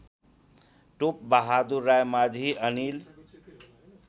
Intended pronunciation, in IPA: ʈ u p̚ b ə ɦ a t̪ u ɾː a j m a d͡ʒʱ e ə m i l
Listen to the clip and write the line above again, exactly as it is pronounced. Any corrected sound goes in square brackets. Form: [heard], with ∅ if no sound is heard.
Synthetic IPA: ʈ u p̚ b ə ɦ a [d̪] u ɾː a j m a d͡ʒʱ [i] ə [n] i l